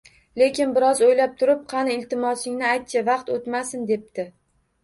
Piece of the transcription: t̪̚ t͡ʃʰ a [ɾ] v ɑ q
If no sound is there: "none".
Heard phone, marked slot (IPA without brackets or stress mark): none